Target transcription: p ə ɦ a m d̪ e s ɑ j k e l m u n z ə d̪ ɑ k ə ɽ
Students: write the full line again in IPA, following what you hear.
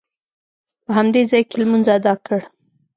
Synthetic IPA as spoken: p ə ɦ a m d̪ e z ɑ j k e l m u n z a d̪ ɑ k ə ɽ